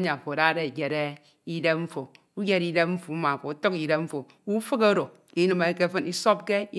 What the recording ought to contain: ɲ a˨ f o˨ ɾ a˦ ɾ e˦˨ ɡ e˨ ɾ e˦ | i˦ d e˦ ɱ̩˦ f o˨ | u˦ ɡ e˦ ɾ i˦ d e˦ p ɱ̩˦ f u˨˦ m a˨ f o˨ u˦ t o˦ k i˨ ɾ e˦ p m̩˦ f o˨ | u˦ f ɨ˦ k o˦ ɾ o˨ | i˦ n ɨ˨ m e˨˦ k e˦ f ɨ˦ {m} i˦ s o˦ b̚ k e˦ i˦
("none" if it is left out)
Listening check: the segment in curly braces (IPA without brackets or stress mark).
n